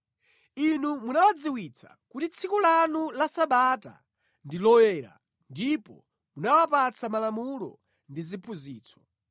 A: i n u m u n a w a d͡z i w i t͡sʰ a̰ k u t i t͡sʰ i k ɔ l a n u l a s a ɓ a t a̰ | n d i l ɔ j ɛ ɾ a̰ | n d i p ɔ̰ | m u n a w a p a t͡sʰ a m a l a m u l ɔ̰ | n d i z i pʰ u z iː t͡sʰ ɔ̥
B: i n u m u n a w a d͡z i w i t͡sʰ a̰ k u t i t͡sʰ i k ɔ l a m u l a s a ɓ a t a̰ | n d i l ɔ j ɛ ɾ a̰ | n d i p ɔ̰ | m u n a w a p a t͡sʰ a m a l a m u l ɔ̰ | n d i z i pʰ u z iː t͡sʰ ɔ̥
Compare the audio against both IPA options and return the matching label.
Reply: A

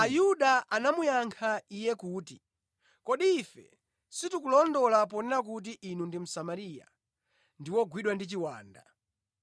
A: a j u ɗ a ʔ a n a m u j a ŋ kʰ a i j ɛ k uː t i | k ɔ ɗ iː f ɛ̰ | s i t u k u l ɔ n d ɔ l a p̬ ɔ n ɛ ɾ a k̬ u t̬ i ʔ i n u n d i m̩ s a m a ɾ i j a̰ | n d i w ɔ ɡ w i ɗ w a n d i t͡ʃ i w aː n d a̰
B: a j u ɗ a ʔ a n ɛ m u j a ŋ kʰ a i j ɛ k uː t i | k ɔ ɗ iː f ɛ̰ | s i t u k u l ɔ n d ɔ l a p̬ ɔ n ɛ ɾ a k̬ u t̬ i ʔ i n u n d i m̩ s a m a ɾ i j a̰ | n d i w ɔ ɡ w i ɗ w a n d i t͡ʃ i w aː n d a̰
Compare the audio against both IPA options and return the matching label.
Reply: A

